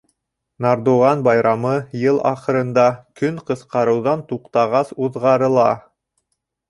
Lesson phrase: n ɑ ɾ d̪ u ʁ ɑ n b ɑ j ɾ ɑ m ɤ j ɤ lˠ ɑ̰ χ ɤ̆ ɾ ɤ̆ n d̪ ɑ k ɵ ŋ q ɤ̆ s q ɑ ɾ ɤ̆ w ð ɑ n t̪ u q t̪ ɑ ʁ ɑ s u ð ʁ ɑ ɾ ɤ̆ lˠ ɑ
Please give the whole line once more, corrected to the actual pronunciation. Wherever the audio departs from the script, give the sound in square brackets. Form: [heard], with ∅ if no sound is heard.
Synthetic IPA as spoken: n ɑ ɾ d̪ u ʁ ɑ n b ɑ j ɾ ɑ m ɤ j ɤ lˠ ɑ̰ χ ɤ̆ ɾ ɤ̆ n d̪ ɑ k ɵ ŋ q ɤ̆ s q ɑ ɾ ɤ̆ w ð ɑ n t̪ u q t̪ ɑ ʁ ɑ s u ð ʁ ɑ ɾ ɤ̆ lˠ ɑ